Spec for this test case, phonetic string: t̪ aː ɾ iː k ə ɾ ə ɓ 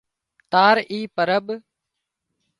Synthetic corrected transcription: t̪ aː ɾ iː p ə ɾ ə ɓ